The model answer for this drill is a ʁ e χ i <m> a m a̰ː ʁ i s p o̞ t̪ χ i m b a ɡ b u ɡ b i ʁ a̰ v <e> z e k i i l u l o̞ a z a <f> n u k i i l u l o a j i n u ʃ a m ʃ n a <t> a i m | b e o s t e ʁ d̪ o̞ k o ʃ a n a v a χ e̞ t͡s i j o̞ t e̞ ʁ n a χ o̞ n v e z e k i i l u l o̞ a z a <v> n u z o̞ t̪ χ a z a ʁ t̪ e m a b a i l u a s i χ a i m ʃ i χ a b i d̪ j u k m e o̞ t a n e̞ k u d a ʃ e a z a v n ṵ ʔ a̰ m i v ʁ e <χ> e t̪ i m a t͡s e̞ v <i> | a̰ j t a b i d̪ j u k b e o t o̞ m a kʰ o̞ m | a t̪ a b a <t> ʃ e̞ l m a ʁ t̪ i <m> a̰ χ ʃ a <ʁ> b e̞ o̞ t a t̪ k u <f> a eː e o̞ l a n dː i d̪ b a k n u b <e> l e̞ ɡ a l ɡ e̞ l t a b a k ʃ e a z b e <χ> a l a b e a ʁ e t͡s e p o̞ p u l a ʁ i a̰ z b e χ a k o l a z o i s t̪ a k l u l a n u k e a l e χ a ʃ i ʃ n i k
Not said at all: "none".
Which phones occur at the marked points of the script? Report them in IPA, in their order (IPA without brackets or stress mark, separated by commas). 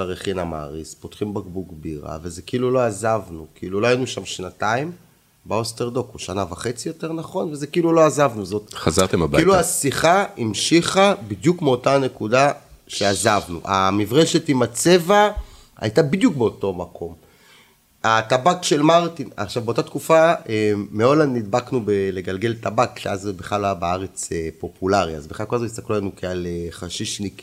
n, e, v, t, v, ʃ, a, k, n, v, f, e, χ